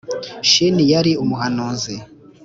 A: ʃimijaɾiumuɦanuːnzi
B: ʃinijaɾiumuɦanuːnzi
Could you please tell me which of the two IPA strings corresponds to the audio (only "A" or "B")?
B